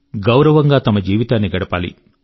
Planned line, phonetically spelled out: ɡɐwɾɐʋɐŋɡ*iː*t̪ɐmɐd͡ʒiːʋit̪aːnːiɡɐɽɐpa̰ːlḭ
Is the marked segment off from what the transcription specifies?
yes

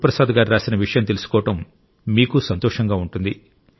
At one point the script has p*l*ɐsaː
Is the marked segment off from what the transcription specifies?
yes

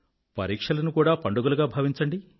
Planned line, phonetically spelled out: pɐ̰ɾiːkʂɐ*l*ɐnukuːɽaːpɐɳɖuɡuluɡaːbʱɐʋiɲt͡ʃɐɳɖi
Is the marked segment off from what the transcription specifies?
no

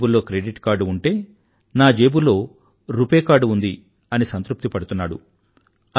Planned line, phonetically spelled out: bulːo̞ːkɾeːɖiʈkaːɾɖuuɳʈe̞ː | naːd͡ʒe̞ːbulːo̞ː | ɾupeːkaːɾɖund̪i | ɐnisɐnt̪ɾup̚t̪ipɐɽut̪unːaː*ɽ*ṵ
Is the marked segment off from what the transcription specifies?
no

